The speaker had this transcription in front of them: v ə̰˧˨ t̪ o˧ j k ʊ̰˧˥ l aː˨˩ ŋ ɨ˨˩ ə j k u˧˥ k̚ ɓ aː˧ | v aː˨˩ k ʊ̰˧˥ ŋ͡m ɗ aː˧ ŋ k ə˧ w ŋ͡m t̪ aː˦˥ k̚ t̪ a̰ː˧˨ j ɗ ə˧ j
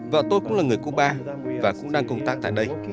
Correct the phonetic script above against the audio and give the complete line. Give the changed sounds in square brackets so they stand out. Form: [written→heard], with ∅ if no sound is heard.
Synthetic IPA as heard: v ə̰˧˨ t̪ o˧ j k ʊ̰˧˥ l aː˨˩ ŋ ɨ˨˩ ə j k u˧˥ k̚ ɓ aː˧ | v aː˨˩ k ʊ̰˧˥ ŋ͡m ɗ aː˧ ŋ k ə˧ w ŋ͡m t̪ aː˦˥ k̚ t̪ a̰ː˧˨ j ɗ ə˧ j

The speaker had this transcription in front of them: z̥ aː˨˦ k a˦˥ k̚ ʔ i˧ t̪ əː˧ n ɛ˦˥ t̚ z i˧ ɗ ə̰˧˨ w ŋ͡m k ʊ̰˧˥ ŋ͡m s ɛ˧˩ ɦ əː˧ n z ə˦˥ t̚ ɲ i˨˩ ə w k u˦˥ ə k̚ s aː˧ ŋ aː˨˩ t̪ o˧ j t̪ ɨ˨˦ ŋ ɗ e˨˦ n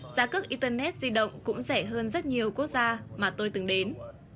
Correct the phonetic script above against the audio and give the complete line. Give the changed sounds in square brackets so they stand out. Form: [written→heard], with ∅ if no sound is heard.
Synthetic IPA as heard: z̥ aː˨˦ k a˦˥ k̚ ʔ i˧ t̪ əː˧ n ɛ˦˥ t̚ z i˧ ɗ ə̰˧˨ w ŋ͡m k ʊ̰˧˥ ŋ͡m s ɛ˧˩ ɦ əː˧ n z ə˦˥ t̚ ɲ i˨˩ ə w k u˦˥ ə k̚ [s→z] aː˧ [ŋ→m] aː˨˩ t̪ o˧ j t̪ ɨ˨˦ ŋ ɗ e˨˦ n

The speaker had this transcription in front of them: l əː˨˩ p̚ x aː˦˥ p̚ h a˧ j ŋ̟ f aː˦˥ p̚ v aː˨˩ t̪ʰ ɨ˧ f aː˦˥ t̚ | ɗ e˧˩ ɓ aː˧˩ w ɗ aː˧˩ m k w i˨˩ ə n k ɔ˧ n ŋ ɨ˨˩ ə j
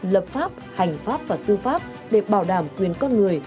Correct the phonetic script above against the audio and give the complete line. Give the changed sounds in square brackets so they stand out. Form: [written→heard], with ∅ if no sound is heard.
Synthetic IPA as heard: l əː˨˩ p̚ [x→f] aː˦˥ p̚ h [a˧→a˨˩] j ŋ̟ f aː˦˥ p̚ v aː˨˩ [t̪ʰ→t̪] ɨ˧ f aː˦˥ [t̚→p̚] | ɗ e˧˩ ɓ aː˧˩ w ɗ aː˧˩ m k w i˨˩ ə n k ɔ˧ n ŋ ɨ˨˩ ə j

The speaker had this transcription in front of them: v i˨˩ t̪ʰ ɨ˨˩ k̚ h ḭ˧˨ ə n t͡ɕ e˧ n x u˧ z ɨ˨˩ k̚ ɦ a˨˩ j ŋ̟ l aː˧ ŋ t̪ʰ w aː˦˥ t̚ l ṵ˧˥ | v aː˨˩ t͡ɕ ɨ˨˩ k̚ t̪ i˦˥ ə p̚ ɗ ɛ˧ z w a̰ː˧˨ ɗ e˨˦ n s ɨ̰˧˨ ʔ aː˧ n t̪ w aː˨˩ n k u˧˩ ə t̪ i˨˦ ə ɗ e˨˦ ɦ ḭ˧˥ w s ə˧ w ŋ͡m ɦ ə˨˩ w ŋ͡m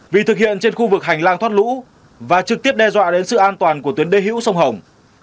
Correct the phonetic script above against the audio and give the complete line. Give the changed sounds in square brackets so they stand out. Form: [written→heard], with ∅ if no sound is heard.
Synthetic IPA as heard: v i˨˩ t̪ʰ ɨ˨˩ k̚ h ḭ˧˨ ə n t͡ɕ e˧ n x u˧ [z→v] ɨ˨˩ k̚ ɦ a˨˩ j ŋ̟ l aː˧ ŋ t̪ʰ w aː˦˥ t̚ l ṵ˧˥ | v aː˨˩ t͡ɕ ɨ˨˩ k̚ t̪ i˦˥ ə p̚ ɗ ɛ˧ z w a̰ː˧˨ ɗ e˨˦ n s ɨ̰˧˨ ʔ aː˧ n t̪ w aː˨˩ n k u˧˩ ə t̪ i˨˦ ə ɗ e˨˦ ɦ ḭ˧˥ w s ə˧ w ŋ͡m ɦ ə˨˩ w ŋ͡m

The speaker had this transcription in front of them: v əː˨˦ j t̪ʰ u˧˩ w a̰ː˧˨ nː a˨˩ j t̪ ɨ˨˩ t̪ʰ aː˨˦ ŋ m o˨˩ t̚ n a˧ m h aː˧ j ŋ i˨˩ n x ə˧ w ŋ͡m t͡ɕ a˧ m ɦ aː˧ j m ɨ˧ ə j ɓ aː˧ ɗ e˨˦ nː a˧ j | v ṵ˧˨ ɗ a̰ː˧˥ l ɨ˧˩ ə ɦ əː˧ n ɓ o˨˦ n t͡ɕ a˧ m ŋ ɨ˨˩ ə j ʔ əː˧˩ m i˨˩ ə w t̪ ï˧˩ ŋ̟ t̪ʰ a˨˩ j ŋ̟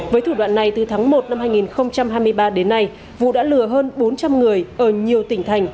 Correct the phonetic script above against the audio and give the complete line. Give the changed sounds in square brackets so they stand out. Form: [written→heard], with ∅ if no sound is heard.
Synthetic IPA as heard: v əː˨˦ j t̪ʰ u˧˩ w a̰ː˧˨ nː a˨˩ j t̪ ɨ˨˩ t̪ʰ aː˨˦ ŋ m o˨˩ t̚ n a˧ m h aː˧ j ŋ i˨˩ n x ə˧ w ŋ͡m t͡ɕ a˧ m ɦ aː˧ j m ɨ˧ ə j ɓ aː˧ ɗ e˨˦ nː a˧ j | v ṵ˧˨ ɗ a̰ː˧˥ l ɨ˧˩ ə ɦ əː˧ n ɓ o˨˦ n t͡ɕ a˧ m ŋ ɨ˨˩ ə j ʔ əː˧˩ [m→ɲ] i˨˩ ə w t̪ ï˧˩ ŋ̟ t̪ʰ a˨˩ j ŋ̟

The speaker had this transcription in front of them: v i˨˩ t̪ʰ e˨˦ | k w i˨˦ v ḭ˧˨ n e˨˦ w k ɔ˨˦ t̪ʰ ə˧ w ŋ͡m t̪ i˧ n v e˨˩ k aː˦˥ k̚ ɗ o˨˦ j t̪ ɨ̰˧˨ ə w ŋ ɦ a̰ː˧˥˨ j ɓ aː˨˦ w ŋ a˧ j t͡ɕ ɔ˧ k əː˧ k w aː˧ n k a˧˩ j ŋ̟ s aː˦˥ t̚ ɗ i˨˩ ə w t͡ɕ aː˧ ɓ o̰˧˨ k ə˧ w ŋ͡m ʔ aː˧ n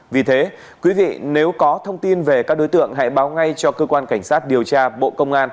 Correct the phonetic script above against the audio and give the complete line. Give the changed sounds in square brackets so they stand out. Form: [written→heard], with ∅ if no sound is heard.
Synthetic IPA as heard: v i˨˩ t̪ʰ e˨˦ | k w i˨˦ v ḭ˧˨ n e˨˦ w k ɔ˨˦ t̪ʰ ə˧ w ŋ͡m t̪ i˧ n v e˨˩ k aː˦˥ k̚ ɗ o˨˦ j t̪ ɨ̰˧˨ ə [w→∅] ŋ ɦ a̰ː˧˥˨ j ɓ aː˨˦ w ŋ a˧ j t͡ɕ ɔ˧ k əː˧ k w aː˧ n k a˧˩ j ŋ̟ s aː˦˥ t̚ ɗ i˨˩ ə w t͡ɕ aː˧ ɓ o̰˧˨ k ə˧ w ŋ͡m ʔ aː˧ n

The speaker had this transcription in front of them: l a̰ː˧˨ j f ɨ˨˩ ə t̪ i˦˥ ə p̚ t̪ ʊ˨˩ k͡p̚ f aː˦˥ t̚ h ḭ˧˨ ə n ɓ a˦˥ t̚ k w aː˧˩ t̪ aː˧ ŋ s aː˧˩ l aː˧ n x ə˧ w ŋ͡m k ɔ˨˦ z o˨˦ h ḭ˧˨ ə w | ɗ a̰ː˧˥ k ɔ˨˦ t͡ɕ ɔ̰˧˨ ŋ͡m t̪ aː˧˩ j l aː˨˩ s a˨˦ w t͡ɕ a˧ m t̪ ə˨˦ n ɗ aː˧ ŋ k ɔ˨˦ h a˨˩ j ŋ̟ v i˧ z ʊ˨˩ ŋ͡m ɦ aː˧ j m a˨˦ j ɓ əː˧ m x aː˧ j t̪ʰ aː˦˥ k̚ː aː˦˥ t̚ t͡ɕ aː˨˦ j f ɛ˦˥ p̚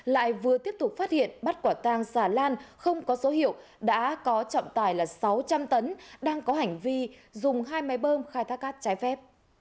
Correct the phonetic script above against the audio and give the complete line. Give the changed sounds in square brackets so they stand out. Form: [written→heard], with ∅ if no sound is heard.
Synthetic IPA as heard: l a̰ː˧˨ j [f→v] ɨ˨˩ ə t̪ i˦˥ ə p̚ t̪ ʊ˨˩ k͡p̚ f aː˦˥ t̚ h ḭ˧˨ ə n ɓ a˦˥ t̚ k w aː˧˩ t̪ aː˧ ŋ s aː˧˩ l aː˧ n x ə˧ w ŋ͡m k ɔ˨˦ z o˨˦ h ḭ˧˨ ə w | ɗ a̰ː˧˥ k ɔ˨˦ t͡ɕ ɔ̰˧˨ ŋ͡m t̪ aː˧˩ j l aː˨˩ s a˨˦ w t͡ɕ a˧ m t̪ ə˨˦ n ɗ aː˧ ŋ k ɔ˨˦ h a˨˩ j ŋ̟ v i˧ z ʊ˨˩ ŋ͡m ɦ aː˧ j m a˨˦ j ɓ əː˧ m x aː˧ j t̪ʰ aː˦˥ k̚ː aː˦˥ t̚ t͡ɕ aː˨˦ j f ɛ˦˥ p̚

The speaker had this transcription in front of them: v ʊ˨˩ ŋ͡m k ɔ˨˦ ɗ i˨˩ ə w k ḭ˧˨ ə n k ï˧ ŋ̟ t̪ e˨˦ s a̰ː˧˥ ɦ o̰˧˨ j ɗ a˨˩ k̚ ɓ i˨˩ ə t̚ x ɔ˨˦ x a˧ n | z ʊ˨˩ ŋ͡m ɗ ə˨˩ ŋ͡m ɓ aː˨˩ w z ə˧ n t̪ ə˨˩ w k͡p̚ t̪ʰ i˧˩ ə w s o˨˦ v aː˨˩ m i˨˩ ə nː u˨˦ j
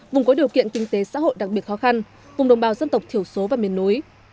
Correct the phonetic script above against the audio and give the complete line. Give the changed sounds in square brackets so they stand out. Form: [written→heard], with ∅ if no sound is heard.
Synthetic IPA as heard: v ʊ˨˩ ŋ͡m k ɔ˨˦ ɗ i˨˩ ə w k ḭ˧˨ ə n k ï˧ ŋ̟ t̪ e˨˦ s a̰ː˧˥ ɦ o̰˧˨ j ɗ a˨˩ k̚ ɓ i˨˩ ə t̚ x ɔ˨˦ x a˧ n | [z→v] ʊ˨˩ ŋ͡m ɗ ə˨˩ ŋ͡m ɓ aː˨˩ w z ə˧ n t̪ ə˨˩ w k͡p̚ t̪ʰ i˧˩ ə w s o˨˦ v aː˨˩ m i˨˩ ə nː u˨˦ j

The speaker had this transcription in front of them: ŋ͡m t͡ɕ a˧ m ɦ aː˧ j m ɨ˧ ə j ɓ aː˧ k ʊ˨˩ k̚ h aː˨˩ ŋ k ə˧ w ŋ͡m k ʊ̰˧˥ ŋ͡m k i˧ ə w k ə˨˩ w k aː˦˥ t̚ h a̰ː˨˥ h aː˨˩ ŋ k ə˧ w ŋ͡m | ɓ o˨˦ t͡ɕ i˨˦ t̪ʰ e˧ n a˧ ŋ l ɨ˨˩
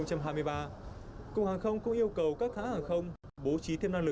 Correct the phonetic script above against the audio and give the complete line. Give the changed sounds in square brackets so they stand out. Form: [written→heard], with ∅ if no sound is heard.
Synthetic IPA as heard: ŋ͡m t͡ɕ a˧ m ɦ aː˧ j m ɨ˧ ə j ɓ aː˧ k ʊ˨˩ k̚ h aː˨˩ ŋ [k→x] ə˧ w ŋ͡m k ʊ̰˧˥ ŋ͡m [k→ʔ] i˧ ə w k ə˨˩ w k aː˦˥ [t̚→k̚] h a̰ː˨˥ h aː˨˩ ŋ [k→x] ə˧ w ŋ͡m | ɓ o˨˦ t͡ɕ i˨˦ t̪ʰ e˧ n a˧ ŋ l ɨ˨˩

